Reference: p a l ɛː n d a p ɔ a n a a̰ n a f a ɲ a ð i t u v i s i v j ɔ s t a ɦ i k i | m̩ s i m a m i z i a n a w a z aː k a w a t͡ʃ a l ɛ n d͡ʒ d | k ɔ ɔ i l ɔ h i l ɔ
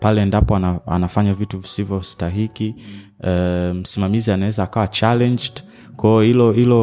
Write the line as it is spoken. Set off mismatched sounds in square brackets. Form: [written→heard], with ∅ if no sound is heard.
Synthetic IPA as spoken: p a l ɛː n d a p ɔ a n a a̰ n a f a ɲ a [ð→v] i t u v i s i v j ɔ s t a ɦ i k i | m̩ s i m a m i z i a n a w [a→ɛ] z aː k a w a t͡ʃ a l ɛ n d͡ʒ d | k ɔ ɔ i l ɔ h i l ɔ